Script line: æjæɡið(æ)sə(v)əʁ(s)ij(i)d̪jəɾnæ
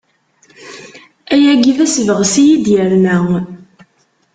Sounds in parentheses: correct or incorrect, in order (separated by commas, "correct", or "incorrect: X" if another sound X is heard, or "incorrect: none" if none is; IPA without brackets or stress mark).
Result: correct, correct, correct, correct